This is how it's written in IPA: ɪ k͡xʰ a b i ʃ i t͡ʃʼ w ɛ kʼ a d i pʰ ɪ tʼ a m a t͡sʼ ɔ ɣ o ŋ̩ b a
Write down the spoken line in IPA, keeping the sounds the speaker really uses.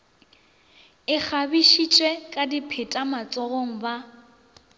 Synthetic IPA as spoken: ɪ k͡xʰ a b i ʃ i t͡ʃʼ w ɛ kʼ a d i pʰ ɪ tʼ a m a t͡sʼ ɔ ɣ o ŋ̩ b a